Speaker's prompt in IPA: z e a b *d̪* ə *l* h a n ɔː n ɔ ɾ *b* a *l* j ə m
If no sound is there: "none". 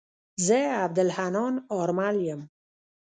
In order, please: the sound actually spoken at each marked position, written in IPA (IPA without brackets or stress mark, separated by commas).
d̪, l, m, l